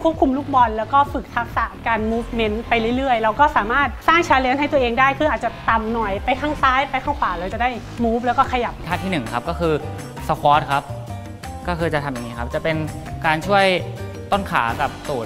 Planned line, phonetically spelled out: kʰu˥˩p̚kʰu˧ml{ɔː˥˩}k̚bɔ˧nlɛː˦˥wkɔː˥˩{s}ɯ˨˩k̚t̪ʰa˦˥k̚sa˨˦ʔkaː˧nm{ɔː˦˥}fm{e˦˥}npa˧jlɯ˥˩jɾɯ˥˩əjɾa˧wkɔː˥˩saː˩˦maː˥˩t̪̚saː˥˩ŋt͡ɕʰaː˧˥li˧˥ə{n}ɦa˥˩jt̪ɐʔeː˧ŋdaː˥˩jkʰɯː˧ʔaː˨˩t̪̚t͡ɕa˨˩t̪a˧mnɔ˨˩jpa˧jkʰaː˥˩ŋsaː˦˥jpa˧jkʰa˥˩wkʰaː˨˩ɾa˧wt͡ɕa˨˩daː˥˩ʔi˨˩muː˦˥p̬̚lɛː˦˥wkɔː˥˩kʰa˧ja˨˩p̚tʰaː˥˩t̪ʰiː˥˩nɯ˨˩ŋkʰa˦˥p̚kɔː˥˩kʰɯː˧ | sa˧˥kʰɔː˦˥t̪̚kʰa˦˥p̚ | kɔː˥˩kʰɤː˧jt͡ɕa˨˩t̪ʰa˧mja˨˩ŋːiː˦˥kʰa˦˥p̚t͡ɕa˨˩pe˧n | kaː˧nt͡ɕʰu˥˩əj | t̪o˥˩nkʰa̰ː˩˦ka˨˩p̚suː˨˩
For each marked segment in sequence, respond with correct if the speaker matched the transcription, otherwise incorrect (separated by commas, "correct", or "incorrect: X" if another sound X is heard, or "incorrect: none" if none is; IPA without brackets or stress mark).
incorrect: uː˥˩, incorrect: f, incorrect: uː˦˥, correct, correct